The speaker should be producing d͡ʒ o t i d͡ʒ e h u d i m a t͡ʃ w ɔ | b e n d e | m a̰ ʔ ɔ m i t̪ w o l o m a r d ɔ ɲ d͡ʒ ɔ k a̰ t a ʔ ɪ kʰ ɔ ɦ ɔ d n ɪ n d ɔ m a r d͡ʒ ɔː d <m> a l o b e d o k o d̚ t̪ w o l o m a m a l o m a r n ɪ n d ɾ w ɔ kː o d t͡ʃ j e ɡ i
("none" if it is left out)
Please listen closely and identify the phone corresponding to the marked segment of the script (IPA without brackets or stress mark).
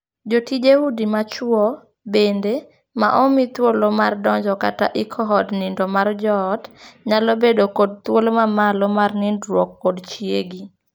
ɲ